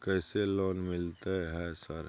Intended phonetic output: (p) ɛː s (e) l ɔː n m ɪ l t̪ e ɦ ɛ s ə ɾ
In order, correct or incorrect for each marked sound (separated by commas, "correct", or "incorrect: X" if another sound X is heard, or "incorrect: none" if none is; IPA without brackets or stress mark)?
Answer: incorrect: k, correct